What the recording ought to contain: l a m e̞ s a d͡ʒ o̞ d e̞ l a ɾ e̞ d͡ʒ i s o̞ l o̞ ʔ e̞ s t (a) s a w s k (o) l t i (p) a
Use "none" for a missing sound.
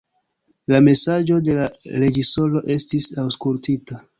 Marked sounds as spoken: i, u, t

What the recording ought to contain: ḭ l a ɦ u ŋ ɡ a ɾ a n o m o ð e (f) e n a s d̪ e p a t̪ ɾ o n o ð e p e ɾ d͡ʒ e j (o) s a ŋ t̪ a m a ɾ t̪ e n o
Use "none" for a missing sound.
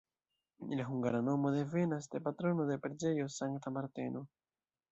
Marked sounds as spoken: v, o

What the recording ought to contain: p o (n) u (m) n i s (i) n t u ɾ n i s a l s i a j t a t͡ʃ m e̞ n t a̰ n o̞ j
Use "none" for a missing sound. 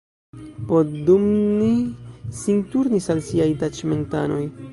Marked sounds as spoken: d, m, i

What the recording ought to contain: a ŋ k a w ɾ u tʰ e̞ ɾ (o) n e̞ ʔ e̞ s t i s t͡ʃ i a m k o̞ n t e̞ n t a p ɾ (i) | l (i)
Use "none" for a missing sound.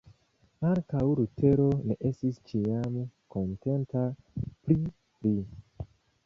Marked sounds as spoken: o, i, i

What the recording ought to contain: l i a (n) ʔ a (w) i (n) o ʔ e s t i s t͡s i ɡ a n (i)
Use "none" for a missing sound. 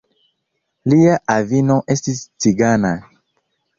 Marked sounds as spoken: none, v, n, a

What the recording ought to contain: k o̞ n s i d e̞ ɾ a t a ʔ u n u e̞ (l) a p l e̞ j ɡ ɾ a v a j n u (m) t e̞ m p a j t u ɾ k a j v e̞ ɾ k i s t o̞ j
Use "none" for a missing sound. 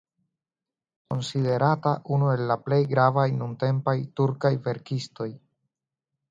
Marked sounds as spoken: lː, n

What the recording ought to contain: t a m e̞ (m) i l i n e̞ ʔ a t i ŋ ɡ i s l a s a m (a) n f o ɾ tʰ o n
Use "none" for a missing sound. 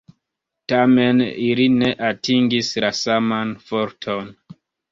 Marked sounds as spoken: n, a

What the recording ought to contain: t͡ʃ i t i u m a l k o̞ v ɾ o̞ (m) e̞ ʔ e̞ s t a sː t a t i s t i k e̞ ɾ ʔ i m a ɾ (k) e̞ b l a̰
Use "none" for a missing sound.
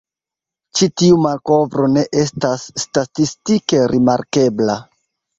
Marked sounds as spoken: n, k

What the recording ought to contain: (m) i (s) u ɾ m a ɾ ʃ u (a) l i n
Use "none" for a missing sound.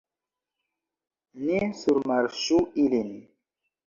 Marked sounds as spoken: n, s, i

